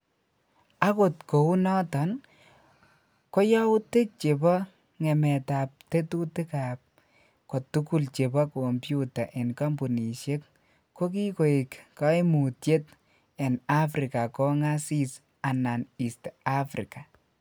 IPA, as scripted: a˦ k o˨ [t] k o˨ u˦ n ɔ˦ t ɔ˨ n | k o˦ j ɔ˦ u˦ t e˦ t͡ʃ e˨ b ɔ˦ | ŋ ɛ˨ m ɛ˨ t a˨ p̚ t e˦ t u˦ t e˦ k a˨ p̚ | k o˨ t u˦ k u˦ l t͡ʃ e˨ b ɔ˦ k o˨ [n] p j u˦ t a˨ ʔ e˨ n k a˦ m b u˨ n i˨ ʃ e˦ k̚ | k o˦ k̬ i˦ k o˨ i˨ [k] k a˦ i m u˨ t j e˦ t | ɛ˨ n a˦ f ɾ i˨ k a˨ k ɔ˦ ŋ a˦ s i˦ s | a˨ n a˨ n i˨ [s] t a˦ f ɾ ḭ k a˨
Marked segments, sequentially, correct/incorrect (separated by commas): correct, incorrect, correct, correct